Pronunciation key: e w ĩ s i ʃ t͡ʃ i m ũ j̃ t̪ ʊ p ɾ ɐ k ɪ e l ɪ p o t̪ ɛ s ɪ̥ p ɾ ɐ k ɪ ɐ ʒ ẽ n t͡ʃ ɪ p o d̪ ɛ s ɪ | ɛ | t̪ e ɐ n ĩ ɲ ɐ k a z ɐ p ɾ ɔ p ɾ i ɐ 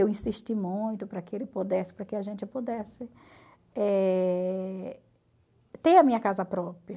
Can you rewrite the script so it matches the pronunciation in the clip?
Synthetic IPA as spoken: e w ĩ s i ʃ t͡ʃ i m ũ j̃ t̪ ʊ p ɾ ɐ k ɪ e l ɪ p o d̪ ɛ s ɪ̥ p ɾ ɐ k ɪ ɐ ʒ ẽ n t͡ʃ ɪ p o d̪ ɛ s ɪ | ɛ | t̪ e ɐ m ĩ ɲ ɐ k a z ɐ p ɾ ɔ p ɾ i ɐ